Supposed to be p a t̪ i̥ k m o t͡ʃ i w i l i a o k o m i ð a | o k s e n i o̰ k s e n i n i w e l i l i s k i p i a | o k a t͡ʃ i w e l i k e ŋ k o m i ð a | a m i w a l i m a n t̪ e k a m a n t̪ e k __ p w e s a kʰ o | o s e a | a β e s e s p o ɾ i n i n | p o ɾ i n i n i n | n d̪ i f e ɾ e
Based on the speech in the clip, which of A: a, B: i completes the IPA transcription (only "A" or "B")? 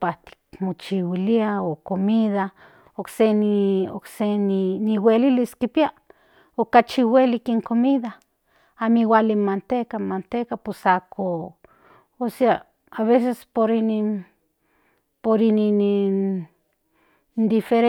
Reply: A